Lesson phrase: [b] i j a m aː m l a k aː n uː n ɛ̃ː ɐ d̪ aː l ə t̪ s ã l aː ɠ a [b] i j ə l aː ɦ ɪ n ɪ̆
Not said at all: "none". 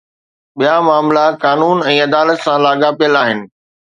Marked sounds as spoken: ɓ, p

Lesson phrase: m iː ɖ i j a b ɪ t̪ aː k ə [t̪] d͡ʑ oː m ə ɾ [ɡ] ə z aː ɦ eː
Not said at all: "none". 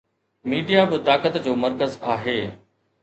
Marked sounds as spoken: t̪, k

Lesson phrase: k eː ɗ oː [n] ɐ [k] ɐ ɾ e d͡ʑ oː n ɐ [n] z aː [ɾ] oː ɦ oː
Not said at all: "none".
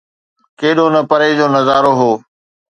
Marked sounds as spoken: n, p, none, ɾ

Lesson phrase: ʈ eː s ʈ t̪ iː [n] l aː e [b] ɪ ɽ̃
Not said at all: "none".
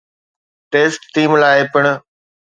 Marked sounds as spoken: m, p

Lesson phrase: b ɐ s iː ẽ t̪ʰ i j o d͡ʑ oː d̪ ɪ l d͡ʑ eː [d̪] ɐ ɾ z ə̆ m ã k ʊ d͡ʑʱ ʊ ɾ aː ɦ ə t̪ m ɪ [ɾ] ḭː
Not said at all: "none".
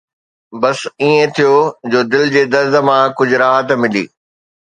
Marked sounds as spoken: d̪, l

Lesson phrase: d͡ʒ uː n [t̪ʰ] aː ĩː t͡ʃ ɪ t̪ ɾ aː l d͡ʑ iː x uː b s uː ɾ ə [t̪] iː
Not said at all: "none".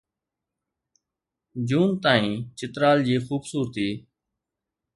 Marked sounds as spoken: t̪, t̪

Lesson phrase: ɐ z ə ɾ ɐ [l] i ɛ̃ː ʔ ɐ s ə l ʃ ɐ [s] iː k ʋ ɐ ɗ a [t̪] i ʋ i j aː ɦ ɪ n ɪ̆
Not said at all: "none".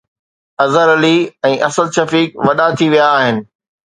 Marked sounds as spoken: l, f, t̪ʰ

